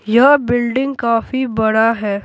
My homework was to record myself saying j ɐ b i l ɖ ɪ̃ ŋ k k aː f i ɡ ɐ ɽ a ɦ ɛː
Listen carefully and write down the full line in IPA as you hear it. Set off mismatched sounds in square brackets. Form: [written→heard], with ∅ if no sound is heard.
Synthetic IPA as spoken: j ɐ b [i→ɪ] l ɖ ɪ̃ ŋ [k→ɡ] k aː f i [ɡ→b] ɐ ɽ a ɦ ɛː